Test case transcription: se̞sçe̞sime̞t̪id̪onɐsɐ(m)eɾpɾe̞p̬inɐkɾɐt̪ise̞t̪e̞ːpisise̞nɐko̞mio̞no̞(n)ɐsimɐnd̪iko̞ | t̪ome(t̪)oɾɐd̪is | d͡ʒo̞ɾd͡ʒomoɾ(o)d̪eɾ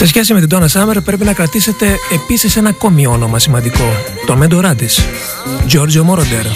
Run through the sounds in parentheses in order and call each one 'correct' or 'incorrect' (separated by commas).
correct, incorrect, incorrect, correct